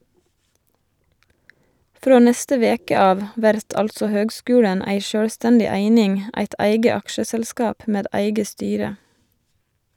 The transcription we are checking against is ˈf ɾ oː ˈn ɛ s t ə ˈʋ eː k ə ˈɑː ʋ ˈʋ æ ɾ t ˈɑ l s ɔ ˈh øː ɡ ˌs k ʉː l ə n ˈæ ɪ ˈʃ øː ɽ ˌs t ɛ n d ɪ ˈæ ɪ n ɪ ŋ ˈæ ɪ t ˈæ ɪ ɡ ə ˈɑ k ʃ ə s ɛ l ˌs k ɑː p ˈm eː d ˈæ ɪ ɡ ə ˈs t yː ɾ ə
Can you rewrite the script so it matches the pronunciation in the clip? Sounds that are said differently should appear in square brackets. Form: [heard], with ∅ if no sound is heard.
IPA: ˈf ɾ oː ˈn ɛ s t ə ˈʋ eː k ə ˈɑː ʋ ˈʋ æ ɾ t ˈɑ l s ɔ ˈh øː ɡ ˌs k ʉː [ɽ] ə n ˈæ ɪ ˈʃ øː ɽ ˌs t ɛ n d ɪ ˈæ ɪ n ɪ ŋ ˈæ ɪ t ˈæ ɪ ɡ ə ˈɑ k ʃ ə s ɛ l ˌs k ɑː p ˈm eː d ˈæ ɪ ɡ ə ˈs t yː ɾ ə